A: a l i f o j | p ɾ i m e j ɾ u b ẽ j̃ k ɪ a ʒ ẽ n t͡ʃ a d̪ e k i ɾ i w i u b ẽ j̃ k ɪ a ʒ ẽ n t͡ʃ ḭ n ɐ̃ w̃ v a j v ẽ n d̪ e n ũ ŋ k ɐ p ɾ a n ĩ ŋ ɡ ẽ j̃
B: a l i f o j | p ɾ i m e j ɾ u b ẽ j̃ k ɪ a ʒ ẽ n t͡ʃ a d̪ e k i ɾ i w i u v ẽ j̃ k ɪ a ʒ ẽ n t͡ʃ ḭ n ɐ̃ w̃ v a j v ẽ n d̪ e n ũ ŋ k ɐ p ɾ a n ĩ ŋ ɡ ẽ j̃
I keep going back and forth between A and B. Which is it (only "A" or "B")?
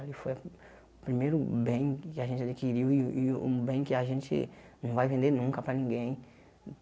A